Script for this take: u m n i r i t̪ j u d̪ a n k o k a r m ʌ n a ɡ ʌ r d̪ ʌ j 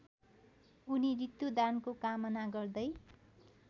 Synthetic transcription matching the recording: u n i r i t̪ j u d̪ a n k o k a m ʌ n a ɡ ʌ r d̪ ʌ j